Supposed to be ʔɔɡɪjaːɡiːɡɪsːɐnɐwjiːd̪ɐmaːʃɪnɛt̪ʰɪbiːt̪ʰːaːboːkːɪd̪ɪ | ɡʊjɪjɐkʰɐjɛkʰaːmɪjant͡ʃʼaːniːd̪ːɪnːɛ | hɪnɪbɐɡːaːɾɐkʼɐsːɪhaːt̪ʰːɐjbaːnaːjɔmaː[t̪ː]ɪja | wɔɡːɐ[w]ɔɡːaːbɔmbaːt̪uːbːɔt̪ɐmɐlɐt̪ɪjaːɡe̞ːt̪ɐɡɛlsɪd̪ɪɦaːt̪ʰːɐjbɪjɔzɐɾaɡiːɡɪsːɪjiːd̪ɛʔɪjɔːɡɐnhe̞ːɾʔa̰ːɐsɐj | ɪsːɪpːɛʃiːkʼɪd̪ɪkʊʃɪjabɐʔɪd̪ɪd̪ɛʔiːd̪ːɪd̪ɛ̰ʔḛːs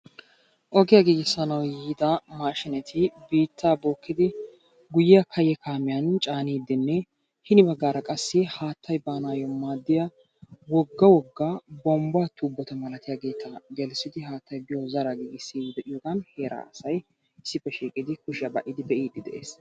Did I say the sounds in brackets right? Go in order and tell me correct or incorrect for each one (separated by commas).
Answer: incorrect, correct